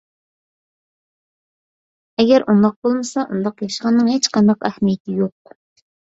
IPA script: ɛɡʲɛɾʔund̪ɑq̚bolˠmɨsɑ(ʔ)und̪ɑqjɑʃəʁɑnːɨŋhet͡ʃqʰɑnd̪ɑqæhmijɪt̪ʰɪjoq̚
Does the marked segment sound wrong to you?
no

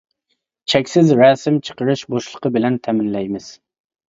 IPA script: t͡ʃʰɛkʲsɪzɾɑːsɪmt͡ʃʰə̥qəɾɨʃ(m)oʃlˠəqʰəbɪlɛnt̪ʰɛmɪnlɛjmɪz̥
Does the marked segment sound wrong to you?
yes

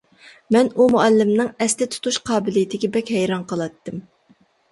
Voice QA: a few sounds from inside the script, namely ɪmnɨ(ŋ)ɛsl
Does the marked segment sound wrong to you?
no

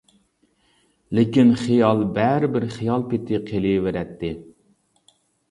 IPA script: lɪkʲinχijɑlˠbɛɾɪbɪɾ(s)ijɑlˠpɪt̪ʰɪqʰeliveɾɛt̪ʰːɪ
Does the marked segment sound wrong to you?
yes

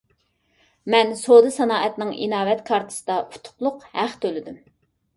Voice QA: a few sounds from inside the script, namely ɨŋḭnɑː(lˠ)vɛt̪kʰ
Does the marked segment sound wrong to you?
yes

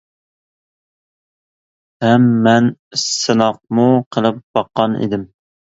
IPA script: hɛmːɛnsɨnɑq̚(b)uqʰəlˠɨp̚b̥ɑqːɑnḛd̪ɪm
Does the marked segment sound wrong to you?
yes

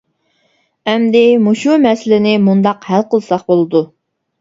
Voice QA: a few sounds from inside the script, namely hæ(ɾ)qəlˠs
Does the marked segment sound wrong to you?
yes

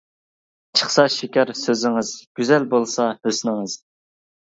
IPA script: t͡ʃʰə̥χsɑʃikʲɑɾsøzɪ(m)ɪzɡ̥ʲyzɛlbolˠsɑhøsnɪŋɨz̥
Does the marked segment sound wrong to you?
yes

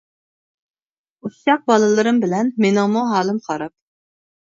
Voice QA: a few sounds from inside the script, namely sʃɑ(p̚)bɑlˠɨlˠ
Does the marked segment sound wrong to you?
yes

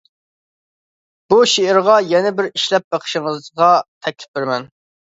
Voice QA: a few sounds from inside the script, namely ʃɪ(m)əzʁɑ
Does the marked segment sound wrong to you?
yes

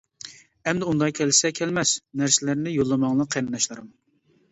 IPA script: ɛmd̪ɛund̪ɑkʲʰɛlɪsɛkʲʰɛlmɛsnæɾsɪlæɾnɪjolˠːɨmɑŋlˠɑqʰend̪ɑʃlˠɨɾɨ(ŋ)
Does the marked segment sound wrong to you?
yes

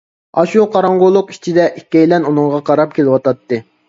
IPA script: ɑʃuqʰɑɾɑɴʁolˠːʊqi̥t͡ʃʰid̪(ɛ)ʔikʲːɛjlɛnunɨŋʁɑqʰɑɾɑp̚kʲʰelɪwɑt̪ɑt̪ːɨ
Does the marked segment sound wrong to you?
no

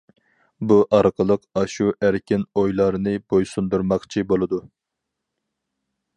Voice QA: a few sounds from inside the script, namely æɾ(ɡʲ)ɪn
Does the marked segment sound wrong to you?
yes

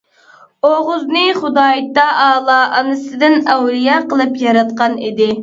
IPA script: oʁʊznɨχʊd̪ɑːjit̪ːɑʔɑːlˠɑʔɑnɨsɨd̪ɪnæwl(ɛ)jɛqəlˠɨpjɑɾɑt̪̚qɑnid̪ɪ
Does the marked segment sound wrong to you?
yes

